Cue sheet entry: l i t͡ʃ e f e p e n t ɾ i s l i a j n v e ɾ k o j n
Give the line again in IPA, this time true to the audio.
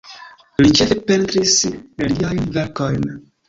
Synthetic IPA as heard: l i t͡ʃ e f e p e n t ɾ i s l i a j n v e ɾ k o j n